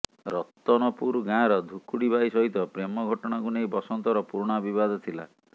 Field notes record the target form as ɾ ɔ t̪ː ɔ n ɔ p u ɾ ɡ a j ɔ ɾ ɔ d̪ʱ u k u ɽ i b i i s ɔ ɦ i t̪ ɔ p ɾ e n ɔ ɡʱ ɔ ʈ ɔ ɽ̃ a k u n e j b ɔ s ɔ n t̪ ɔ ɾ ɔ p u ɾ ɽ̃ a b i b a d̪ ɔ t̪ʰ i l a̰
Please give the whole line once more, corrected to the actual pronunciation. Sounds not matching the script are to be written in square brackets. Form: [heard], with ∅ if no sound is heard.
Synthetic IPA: ɾ ɔ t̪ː ɔ n ɔ p u ɾ ɡ a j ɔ ɾ ɔ d̪ʱ u k u ɽ i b [a] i s ɔ ɦ i t̪ ɔ p ɾ e [m] ɔ ɡʱ ɔ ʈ ɔ ɽ̃ a k u n e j b ɔ s ɔ n t̪ ɔ ɾ ɔ p u ɾ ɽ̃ a b i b a d̪ ɔ t̪ʰ i l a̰